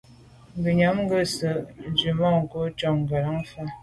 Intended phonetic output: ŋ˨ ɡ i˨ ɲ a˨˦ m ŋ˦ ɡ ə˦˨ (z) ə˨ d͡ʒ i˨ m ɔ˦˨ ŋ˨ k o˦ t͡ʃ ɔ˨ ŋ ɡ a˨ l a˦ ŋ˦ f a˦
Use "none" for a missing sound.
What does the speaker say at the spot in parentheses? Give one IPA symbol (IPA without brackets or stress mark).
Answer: s